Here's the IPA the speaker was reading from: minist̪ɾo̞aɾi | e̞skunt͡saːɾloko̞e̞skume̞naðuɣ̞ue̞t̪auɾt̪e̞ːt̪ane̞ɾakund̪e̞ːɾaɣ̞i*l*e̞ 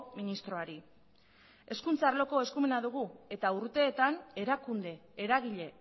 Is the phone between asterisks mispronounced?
yes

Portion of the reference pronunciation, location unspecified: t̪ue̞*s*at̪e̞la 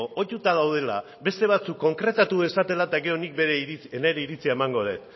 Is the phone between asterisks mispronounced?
no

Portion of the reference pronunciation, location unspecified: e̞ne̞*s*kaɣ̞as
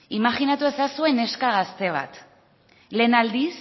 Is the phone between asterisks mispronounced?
no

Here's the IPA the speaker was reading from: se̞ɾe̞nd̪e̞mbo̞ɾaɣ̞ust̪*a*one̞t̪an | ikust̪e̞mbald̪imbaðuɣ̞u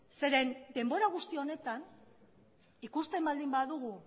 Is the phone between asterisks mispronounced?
yes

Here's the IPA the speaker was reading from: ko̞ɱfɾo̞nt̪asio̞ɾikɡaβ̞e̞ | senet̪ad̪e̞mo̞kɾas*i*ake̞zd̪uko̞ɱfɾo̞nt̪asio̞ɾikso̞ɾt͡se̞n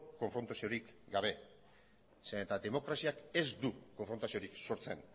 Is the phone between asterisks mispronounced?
no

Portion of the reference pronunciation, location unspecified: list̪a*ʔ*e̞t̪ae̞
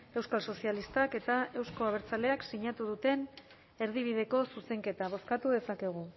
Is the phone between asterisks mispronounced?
yes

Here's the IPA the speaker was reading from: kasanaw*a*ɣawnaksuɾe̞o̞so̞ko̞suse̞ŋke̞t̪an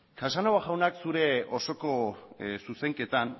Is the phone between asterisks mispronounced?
no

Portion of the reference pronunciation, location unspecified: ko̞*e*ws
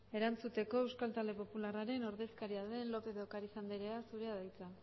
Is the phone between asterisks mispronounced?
no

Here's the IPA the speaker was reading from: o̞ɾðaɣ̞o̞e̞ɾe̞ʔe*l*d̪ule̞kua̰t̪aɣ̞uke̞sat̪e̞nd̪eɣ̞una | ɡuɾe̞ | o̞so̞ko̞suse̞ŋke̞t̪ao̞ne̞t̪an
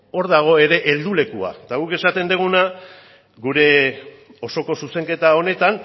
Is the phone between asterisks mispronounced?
no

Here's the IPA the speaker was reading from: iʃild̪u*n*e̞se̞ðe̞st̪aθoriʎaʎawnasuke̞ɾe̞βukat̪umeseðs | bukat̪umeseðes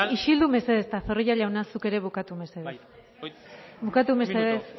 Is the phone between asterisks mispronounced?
yes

